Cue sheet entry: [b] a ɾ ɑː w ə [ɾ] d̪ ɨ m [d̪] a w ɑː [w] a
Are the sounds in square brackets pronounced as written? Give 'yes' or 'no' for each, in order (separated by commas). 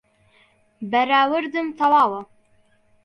yes, yes, no, yes